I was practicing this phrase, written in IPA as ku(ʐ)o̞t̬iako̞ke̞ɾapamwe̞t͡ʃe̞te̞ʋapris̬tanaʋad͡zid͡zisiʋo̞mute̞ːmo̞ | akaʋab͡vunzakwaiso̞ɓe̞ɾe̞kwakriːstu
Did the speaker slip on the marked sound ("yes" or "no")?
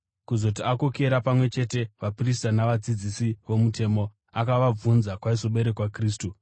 yes